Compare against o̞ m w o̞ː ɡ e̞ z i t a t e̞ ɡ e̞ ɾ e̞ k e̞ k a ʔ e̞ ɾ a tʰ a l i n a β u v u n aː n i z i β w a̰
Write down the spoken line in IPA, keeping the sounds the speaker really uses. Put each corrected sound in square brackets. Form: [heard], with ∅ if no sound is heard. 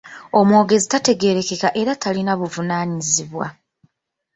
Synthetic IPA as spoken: o̞ m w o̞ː ɡ e̞ z i t a t e̞ ɡ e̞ ɾ e̞ k e̞ k a ʔ e̞ ɾ a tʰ a l i n a β u v u n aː [ɲ] i z i β w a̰

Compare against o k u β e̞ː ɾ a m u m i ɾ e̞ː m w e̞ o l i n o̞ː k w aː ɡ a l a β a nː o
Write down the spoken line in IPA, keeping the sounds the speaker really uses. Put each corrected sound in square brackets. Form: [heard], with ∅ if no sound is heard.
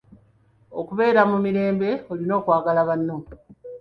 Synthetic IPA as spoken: o k u β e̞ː ɾ a m u m i ɾ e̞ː m [b] e̞ o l i n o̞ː k w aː ɡ a l a β a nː o

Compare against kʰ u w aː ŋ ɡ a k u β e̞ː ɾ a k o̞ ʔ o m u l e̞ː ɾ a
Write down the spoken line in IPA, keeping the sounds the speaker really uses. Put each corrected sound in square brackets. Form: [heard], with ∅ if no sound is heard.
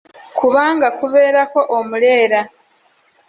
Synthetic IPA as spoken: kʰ u [β] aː ŋ ɡ a k u β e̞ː ɾ a k o̞ ʔ o m u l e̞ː ɾ a

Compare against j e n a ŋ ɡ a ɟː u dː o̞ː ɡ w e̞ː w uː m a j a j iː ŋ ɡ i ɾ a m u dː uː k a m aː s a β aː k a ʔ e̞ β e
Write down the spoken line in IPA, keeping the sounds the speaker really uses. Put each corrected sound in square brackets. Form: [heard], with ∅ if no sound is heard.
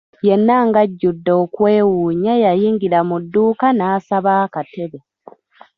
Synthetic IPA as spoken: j e [nː] a ŋ ɡ a ɟː u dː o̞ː [k] w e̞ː w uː [ɲ] a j a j iː ŋ ɡ i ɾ a m u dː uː k a [n] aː s a β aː k a [t] e̞ β e

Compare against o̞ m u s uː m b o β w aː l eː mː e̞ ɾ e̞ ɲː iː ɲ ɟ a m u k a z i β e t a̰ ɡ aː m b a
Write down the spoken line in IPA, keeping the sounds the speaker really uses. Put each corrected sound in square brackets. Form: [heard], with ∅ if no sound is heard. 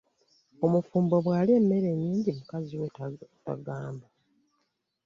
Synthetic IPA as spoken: o̞ m u [f] uː m b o β w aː l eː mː e̞ ɾ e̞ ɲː iː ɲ ɟ [i] m u k a z i [w] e t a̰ ɡ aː m b a

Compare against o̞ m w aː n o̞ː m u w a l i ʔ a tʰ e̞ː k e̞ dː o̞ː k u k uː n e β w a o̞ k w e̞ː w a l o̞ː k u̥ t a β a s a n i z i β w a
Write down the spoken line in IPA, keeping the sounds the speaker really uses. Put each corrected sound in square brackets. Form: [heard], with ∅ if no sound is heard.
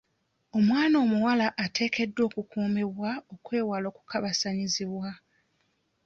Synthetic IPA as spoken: o̞ m w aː n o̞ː m u w a l [a] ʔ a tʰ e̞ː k e̞ dː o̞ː k u k uː [m] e β w a o̞ k w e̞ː w a l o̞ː k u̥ [k] a β a s a [ɲ] i z i β w a

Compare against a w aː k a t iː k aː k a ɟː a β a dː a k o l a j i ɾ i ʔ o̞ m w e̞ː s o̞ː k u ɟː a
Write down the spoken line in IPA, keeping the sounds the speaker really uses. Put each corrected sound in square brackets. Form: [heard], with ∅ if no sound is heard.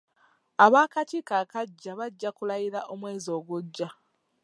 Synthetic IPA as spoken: a [β] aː k a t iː k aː k a ɟː a β a [ɟː] a k [u] l a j i ɾ [a] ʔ o̞ m w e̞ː [z] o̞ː [ɡ] u ɟː a

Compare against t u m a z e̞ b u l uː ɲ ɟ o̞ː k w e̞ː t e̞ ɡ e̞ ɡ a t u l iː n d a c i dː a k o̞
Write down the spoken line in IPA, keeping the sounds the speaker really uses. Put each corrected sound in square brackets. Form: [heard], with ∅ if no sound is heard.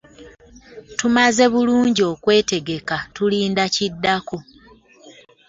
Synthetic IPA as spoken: t u m a z e̞ [β] u l uː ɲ ɟ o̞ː k w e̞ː t e̞ ɡ e̞ [k] a t u l iː n d a c i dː a k o̞

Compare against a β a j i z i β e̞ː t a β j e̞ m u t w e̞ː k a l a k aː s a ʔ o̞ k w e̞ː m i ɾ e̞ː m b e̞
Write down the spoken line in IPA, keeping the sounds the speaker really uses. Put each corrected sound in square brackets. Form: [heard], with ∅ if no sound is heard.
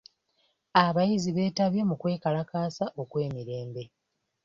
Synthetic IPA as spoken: a β a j i z i β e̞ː t a β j e̞ m u [k] w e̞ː k a l a k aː s a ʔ o̞ k w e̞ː m i ɾ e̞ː m b e̞

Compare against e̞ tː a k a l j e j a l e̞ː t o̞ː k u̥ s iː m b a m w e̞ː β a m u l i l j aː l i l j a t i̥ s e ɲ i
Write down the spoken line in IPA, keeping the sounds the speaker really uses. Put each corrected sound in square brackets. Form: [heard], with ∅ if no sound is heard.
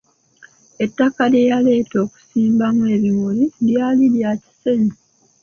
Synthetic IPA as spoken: e̞ tː a k a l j e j a l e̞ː t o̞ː k u̥ s iː m b a m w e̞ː β [i] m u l i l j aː l i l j a [c] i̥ s e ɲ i

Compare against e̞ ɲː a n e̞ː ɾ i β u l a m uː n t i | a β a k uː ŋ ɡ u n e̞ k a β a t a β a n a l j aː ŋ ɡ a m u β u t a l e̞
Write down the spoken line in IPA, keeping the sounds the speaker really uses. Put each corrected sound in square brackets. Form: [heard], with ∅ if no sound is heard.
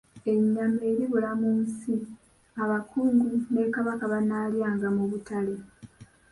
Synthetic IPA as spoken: e̞ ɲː a [m] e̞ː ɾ i β u l a m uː n [s] i | a β a k uː ŋ ɡ u n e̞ k a β a [k] a β a n a l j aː ŋ ɡ a m u β u t a l e̞

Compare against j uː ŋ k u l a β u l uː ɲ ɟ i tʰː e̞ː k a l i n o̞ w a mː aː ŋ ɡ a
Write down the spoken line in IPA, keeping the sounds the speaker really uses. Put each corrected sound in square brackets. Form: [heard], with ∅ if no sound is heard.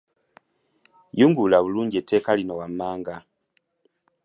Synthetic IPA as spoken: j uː ŋ [ɡ] u l a β u l uː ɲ ɟ [e] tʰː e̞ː k a l i n o̞ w a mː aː ŋ ɡ a

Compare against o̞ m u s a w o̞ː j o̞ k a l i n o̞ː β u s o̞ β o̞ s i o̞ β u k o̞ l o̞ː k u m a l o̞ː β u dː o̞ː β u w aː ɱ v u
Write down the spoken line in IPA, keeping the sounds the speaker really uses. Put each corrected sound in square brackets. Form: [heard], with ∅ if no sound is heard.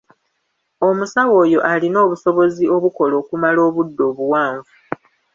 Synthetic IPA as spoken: o̞ m u s a w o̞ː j o̞ [ʔ] a l i n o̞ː β u s o̞ β o̞ [z] i o̞ β u k o̞ l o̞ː k u m a l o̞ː β u dː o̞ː β u w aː ɱ v u

